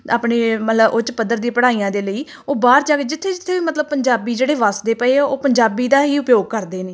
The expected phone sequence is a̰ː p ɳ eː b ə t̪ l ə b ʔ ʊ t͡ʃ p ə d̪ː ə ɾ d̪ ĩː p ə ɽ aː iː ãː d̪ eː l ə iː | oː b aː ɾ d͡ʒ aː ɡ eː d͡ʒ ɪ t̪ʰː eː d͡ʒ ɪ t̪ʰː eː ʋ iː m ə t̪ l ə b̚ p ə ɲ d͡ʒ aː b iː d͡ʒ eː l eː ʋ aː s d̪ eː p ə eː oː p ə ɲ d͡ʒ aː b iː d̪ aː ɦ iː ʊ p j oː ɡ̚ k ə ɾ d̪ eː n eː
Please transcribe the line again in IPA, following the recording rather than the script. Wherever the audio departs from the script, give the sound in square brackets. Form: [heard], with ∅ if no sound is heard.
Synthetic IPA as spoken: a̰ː p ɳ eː [m] ə t̪ l ə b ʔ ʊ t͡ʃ p ə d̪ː ə ɾ d̪ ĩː p ə ɽ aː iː ãː d̪ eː l ə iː | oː b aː ɾ d͡ʒ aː ɡ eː d͡ʒ ɪ t̪ʰː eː d͡ʒ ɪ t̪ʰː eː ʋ iː m ə t̪ l ə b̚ p ə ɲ d͡ʒ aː b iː d͡ʒ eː [ɽ] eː ʋ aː s d̪ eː p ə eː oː p ə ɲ d͡ʒ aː b iː d̪ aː ɦ iː ʊ p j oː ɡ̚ k ə ɾ d̪ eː n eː